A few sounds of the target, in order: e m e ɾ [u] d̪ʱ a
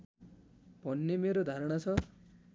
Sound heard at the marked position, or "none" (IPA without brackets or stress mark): o